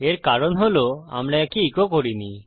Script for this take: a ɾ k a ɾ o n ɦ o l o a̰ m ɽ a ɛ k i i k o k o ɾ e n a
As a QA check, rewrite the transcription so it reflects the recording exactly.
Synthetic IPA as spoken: e ɾ k a ɾ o n ɦ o l o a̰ m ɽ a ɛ k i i k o k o ɾ i n i

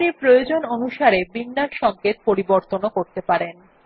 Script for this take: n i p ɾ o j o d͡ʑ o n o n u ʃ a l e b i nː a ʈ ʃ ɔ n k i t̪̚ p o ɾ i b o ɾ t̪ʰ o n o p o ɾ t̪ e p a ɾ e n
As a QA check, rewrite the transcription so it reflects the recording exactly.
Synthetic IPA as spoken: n i p ɾ o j o d͡ʑ o n o n u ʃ a ɾ e b i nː a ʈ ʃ ɔ ŋ k e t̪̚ p o ɾ i b o ɾ t̪ o n o k o ɾ t̪ e p a ɾ e n

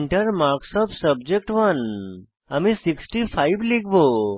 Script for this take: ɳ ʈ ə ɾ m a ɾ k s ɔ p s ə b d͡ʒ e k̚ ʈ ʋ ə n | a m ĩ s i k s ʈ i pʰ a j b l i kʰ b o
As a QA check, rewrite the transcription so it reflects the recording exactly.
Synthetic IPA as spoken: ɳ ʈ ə ɾ m a ɾ k s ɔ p s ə b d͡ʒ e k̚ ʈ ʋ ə n | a m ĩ s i k s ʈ i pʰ a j b l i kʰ b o

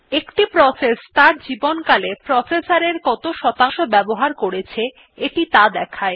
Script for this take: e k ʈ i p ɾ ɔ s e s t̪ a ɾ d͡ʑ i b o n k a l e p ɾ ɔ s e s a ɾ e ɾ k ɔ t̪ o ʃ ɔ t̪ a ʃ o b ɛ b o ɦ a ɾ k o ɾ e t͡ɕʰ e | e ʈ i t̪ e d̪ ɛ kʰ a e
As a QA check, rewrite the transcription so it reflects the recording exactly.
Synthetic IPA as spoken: e k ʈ i p ɾ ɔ s e s t̪ a ɾ d͡ʑ i b o n k a l e p ɾ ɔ s e s a ɾ e ɾ k ɔ t̪ o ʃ ɔ t̪ a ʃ o b ɛ b o ɦ a ɾ k o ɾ e t͡ɕʰ e | e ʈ i t̪ a d̪ ɛ kʰ a e

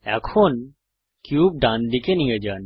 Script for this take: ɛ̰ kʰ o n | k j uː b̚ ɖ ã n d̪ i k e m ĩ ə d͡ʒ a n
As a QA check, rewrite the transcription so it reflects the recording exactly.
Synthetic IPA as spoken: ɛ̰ kʰ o n | k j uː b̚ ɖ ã n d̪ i k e n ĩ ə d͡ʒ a n

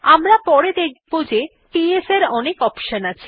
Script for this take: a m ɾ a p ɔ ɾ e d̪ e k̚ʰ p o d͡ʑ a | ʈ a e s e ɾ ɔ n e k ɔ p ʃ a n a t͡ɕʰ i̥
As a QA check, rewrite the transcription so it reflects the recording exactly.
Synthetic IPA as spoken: a m ɾ a p ɔ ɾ e d̪ e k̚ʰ b o d͡ʑ e | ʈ i e s e ɾ ɔ n e k ɔ p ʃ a n a t͡ɕʰ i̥

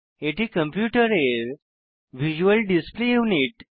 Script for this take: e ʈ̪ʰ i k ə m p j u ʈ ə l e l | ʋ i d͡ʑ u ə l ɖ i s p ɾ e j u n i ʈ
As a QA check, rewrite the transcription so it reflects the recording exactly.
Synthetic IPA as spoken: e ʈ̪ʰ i k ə m p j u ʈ ə ɾ e ɾ | ʋ i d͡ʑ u ə l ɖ i s p l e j u n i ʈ

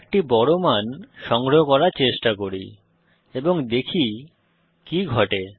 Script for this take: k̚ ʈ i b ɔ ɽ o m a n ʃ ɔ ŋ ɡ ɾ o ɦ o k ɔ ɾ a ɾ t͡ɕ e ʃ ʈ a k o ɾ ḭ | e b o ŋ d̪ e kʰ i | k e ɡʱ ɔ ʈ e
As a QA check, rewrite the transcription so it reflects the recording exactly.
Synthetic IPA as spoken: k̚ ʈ i b ɔ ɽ o m a n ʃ ɔ ŋ ɡ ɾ o ɦ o k ɔ ɾ a ɾ t͡ɕ e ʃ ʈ a k o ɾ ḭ | e b o ŋ d̪ e kʰ i | k i ɡʱ ɔ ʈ e

